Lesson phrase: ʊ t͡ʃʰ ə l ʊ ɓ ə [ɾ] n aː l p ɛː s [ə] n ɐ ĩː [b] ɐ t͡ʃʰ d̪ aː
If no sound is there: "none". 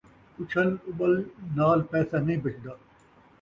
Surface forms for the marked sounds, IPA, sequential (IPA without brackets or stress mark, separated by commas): l, a, b